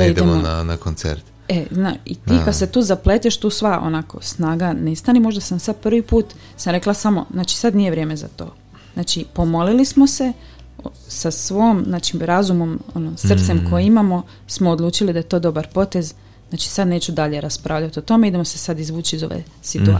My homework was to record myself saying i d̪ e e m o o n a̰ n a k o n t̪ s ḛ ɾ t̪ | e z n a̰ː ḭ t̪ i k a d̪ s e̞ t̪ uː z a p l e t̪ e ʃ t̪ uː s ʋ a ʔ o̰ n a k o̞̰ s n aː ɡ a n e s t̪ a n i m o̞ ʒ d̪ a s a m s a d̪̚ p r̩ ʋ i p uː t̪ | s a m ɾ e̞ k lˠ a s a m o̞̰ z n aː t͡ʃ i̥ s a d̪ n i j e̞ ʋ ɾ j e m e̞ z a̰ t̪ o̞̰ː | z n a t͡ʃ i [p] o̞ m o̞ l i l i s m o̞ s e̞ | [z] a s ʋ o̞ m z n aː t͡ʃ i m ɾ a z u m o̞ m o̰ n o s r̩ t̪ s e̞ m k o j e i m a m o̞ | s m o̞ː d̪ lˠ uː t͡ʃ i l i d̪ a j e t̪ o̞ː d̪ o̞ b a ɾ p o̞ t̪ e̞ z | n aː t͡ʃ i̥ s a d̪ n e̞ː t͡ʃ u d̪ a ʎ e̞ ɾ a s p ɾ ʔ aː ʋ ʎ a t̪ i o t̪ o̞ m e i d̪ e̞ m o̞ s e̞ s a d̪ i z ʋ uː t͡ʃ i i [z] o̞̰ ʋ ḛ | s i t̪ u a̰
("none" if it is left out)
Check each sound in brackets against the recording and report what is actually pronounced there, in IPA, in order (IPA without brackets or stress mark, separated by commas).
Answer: p, s, z